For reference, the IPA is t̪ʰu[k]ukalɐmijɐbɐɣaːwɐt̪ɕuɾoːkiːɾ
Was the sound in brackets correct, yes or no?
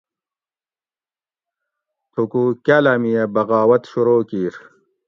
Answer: yes